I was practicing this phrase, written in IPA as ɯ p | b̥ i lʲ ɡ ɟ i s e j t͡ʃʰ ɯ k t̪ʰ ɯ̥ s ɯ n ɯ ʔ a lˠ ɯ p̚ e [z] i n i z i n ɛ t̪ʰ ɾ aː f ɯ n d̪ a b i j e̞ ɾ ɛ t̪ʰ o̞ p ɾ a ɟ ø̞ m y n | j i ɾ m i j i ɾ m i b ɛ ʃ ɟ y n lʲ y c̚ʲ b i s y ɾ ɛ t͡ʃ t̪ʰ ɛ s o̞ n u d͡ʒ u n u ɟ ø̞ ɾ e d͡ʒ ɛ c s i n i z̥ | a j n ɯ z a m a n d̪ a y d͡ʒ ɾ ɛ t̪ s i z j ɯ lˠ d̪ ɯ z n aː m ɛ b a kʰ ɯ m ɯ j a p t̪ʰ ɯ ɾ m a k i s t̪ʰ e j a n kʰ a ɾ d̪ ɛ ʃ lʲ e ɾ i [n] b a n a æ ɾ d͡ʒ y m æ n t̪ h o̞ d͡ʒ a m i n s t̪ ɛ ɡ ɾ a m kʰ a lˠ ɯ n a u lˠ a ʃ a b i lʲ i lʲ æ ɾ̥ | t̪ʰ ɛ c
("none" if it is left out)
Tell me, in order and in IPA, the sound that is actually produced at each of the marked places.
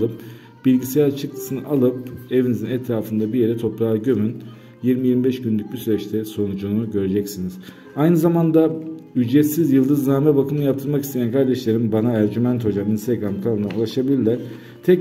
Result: v, m

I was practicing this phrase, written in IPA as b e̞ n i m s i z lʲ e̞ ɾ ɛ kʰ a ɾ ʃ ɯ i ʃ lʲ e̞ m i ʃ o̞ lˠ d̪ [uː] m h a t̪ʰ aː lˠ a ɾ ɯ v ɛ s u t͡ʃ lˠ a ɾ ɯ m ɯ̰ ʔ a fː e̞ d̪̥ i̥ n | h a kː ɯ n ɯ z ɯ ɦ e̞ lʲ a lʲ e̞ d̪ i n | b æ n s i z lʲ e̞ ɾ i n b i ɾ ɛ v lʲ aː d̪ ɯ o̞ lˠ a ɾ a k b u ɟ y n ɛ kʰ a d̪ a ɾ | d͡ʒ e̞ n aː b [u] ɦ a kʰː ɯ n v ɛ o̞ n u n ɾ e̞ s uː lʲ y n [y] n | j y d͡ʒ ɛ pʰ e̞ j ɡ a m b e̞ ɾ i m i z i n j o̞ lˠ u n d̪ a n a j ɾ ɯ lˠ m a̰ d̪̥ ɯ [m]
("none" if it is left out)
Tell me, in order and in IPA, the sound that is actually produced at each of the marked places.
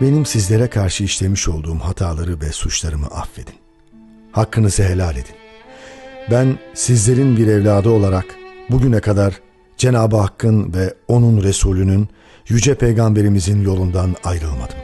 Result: uː, ɯ, y, m

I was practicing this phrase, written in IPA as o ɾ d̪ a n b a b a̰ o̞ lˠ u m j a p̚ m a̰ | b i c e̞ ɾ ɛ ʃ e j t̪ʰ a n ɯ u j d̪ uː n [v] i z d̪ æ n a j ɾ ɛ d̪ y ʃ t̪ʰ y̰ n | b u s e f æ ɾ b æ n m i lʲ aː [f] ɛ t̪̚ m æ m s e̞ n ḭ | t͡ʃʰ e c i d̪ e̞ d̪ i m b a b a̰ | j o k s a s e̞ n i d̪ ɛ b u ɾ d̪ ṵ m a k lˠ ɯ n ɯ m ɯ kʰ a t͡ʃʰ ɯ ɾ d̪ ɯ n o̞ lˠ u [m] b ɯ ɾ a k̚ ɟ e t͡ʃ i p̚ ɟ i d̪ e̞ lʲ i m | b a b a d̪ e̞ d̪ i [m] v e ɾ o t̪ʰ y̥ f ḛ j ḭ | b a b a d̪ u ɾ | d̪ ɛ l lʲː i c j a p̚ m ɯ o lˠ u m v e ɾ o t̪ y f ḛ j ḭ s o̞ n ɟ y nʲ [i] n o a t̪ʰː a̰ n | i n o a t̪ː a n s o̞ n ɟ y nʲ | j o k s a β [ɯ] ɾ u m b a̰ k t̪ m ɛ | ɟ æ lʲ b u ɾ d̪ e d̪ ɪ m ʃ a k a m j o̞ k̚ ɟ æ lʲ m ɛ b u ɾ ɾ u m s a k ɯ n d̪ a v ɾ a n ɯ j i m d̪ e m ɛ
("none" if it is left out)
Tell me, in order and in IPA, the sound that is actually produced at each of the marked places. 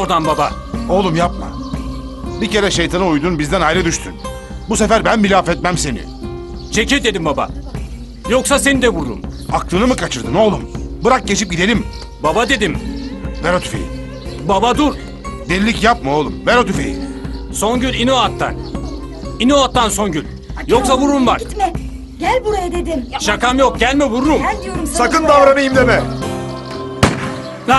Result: b, f, m, m, i, u

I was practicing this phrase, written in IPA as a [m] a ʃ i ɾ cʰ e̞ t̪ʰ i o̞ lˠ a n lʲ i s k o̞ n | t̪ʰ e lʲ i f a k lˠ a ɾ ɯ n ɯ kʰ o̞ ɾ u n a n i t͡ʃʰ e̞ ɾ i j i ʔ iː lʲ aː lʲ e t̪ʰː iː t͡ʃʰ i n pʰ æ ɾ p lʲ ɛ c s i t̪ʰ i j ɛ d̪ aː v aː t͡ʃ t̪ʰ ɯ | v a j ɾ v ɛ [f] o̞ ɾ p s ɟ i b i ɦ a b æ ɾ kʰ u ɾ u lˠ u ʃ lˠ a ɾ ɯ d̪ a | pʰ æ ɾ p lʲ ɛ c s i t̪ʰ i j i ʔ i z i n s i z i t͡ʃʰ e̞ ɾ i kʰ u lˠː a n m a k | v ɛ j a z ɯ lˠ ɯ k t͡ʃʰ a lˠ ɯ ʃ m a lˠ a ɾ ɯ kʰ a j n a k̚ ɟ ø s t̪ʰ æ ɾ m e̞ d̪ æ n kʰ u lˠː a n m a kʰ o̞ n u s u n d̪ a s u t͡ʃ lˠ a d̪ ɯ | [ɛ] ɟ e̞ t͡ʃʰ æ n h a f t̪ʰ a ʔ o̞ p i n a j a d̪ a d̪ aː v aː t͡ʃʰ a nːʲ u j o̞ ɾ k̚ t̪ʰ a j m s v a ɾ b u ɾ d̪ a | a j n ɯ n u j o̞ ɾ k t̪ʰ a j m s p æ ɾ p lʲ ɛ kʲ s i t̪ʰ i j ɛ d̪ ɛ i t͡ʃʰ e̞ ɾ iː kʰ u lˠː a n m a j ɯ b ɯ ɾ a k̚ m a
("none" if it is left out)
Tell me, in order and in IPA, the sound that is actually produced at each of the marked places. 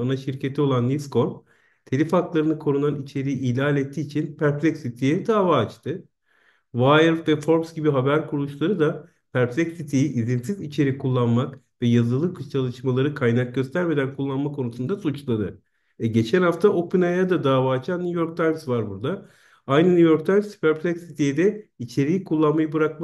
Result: n, f, ɛ

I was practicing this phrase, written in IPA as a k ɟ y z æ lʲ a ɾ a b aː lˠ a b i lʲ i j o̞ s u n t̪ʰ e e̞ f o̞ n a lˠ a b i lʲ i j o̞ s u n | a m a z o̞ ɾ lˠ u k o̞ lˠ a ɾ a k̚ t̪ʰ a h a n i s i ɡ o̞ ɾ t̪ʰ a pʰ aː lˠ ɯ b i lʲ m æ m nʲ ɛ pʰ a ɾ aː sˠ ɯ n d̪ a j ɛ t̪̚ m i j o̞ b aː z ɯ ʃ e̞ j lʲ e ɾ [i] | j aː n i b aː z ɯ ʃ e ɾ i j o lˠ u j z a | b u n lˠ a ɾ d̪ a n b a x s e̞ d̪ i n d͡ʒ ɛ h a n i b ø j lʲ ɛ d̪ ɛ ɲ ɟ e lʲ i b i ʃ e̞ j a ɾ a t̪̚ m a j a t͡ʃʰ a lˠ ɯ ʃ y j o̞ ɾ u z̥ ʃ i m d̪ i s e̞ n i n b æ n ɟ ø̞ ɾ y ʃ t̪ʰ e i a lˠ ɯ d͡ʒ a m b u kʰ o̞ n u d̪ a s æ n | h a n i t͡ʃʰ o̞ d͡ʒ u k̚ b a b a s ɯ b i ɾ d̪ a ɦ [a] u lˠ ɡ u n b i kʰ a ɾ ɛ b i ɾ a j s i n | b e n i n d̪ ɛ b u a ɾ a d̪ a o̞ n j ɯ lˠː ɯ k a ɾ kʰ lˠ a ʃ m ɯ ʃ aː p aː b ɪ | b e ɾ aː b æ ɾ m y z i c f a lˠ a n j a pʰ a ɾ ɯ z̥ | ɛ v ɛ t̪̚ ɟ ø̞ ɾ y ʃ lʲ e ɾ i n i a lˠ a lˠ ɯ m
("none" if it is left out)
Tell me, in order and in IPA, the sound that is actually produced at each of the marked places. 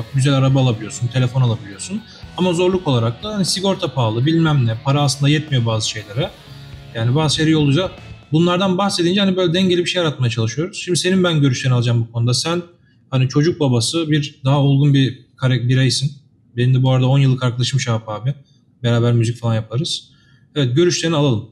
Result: ɛ, a

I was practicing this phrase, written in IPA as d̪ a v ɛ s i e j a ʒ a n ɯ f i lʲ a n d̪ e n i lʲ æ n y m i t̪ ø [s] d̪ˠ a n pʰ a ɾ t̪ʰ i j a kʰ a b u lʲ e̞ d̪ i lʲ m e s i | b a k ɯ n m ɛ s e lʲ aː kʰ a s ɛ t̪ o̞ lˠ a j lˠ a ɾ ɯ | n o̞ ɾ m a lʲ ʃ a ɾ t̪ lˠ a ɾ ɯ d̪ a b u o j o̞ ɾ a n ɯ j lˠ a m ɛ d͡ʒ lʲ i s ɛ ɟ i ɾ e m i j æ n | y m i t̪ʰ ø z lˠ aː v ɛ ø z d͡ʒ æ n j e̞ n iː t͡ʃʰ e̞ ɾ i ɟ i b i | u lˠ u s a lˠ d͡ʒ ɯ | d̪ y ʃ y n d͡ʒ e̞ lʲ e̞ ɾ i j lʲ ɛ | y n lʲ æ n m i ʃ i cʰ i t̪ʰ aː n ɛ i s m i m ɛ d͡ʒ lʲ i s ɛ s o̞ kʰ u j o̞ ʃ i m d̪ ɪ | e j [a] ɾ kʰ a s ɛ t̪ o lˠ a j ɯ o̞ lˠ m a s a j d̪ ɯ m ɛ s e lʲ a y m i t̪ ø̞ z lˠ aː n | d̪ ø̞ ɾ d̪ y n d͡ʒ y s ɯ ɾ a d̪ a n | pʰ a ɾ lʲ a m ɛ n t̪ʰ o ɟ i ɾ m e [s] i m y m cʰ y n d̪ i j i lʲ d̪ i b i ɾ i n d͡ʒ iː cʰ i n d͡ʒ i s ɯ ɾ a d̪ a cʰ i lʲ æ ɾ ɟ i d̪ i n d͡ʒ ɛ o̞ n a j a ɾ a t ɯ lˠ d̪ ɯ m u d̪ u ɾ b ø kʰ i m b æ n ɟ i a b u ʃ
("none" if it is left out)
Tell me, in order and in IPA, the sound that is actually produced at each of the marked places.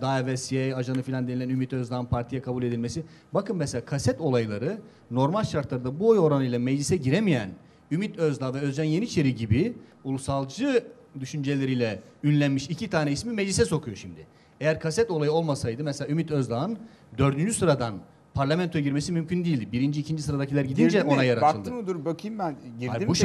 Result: z, æ, s

